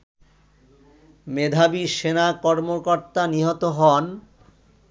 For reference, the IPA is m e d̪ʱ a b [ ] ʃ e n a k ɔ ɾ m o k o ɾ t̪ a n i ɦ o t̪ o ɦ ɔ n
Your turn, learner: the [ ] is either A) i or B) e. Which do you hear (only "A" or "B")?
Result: A